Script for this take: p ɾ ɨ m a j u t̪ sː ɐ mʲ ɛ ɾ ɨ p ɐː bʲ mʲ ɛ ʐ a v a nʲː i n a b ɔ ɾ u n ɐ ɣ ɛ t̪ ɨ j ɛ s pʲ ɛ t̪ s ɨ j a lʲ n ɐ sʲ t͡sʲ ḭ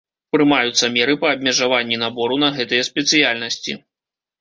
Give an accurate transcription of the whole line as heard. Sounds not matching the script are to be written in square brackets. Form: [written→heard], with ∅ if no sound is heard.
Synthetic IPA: p ɾ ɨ m a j u t̪ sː ɐ mʲ ɛ ɾ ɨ p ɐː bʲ mʲ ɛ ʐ a v a nʲː i n a b ɔ ɾ u n ɐ ɣ ɛ t̪ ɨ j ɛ s pʲ ɛ t̪ s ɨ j a lʲ n ɐ sʲ t͡sʲ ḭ